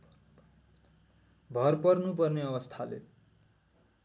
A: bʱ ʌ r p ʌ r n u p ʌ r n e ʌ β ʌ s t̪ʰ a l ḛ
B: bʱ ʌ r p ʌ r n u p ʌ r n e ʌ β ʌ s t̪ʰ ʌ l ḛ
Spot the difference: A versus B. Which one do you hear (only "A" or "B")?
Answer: A